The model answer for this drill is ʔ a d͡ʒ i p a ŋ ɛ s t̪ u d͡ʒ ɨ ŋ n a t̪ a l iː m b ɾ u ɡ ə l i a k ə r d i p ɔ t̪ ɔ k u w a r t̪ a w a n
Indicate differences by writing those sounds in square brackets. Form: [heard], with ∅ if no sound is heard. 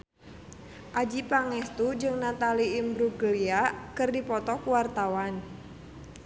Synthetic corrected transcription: ʔ a d͡ʒ i p a ŋ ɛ s t̪ u d͡ʒ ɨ ŋ n a t̪ a l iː m b ɾ u ɡ ə l i a k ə r d i p ɔ t̪ ɔ k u w a r t̪ a w a n